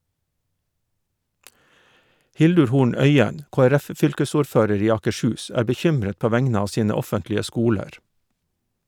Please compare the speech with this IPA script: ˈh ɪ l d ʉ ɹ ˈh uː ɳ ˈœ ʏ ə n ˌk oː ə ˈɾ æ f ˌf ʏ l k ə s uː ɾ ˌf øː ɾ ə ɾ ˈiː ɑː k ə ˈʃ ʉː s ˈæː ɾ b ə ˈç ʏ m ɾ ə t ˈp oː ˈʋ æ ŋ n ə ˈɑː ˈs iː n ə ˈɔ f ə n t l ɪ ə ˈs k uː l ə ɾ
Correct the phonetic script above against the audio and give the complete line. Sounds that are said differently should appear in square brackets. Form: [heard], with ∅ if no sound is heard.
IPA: ˈh ɪ l d ʉ ɹ ˈh uː ɳ ˈœ ʏ ə n ˌk oː ə ˈɾ æ f ˌf ʏ l k ə s uː ɾ ˌf øː ɾ ə ɾ ˈiː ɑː k ə ˈʃ ʉː s ˈæː ɾ b ə ˈç ʏ m ɾ ə t ˈp oː ˈʋ æ ŋ n ə ˈɑː ˈs iː n ə ˈɔ f ə n t l ɪ ə ˈs k uː l ə ɾ